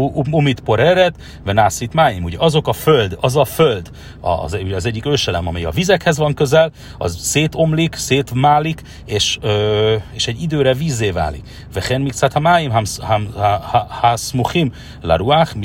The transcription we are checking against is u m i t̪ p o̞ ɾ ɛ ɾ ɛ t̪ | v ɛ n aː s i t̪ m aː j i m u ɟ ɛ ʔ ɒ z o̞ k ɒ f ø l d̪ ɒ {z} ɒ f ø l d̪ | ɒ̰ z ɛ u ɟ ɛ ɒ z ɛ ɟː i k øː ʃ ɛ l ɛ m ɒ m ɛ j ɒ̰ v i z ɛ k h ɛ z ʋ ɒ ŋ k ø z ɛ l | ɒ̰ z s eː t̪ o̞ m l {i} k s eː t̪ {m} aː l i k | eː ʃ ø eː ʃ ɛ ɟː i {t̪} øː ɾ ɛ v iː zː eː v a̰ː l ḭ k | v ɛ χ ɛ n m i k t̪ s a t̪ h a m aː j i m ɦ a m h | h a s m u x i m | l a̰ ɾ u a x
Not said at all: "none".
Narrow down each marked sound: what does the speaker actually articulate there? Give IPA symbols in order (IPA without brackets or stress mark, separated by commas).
z, i, m, d̪